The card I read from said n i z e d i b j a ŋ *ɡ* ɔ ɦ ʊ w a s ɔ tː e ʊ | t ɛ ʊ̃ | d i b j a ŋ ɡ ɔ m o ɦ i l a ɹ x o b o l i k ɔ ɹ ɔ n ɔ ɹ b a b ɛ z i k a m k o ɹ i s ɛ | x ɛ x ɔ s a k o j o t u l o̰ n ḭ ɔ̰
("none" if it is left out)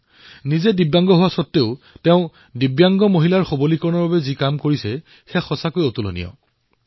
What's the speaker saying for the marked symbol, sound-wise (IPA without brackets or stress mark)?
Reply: ɡ